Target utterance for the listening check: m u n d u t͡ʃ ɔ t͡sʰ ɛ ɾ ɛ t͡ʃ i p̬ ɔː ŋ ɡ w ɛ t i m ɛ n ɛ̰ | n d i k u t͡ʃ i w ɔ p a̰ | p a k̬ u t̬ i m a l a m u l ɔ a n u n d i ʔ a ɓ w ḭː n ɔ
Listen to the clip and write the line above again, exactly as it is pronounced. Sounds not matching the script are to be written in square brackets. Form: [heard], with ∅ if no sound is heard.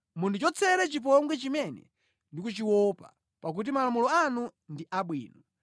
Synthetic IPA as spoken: m u n d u t͡ʃ ɔ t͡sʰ ɛ ɾ ɛ t͡ʃ i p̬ [ɔ] ŋ ɡ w ɛ [t͡ʃ] i m ɛ n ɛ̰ | n d i k u t͡ʃ i w ɔ p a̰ | p a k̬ u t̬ i m a l a m u l ɔ a n u n d i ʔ a ɓ w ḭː n ɔ